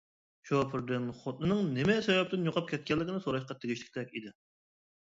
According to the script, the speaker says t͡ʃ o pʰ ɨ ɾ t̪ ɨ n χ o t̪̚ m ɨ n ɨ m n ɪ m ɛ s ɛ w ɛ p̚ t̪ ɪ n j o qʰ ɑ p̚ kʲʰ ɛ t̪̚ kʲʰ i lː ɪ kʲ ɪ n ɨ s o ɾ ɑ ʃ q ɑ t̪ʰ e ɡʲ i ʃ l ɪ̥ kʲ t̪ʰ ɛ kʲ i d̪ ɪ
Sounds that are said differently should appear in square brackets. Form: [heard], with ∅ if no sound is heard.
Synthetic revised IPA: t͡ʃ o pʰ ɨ ɾ [d̪] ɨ n χ o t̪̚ [n] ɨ n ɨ [ŋ] n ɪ m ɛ s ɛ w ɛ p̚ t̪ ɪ n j o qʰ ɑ p̚ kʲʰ ɛ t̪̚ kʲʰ [ɛ] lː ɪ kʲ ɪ n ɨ s o ɾ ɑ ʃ q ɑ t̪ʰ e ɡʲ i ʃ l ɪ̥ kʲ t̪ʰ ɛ kʲ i d̪ ɪ